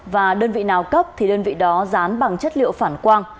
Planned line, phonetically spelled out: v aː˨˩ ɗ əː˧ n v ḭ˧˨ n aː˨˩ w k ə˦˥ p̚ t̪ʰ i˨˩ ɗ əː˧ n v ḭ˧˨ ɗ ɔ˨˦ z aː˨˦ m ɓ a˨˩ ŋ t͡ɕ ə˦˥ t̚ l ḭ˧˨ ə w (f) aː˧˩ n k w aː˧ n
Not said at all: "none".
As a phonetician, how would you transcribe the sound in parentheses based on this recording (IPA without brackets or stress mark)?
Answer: f